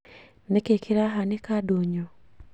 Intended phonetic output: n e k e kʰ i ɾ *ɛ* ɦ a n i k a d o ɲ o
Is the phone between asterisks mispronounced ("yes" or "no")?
yes